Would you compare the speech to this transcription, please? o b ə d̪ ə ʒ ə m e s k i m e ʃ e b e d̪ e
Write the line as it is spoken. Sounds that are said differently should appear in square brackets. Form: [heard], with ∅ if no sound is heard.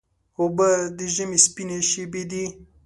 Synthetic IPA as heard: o b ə d̪ ə ʒ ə m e s [p] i [n] e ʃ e b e d̪ [i]